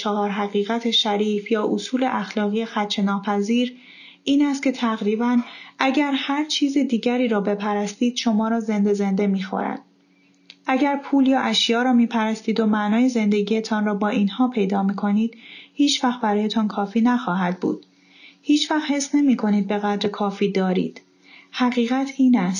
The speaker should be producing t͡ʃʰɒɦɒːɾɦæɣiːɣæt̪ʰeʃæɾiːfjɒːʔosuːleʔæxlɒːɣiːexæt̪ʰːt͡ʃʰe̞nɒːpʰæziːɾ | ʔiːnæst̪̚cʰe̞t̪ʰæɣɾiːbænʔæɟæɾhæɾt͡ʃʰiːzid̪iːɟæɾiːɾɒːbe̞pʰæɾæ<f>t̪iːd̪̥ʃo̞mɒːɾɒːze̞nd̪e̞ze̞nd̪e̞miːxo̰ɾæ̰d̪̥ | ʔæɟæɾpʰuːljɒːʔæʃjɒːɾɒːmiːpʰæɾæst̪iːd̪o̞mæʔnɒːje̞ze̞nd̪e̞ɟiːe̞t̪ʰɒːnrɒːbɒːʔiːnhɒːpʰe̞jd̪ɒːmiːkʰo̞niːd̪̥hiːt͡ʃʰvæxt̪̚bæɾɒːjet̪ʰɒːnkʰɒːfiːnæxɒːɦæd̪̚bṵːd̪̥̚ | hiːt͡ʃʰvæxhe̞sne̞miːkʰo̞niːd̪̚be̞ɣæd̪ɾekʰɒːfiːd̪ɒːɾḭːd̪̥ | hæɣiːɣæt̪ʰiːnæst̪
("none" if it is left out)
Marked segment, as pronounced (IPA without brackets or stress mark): s